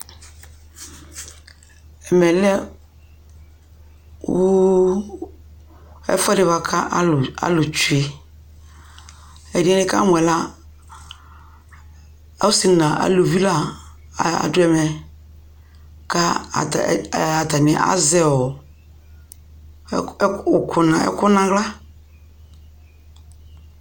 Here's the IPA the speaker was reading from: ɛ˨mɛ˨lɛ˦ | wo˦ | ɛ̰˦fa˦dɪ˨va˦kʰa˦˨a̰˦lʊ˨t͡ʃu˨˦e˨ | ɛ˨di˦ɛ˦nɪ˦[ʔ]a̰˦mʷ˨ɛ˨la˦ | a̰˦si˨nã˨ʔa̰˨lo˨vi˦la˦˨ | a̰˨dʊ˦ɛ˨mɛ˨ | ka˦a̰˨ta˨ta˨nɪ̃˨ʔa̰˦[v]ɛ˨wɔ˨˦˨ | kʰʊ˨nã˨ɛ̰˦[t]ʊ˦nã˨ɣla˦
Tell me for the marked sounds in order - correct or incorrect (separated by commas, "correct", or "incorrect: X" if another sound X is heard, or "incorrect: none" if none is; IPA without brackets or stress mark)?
incorrect: k, incorrect: z, incorrect: k